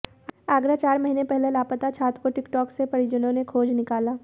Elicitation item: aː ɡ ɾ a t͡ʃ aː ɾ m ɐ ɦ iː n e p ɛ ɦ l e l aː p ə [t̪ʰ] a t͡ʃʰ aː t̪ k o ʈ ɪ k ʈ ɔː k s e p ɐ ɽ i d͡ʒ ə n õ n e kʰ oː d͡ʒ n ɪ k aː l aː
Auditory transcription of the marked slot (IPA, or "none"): t̪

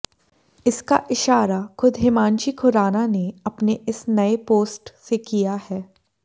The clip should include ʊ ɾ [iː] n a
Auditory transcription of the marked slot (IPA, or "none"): aː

